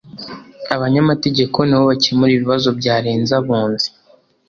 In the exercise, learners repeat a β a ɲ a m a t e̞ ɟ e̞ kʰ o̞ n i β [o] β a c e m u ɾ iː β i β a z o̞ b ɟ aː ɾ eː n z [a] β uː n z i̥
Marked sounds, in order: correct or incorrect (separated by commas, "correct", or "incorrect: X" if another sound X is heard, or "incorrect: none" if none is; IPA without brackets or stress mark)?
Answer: correct, correct